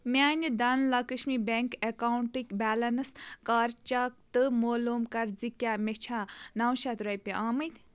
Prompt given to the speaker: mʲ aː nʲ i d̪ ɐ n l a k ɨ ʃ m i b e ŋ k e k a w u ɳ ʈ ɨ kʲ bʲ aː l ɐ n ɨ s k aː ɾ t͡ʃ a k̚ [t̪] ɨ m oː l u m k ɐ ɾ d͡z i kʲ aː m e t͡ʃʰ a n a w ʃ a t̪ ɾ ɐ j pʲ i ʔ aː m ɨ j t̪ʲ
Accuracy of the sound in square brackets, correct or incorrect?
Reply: correct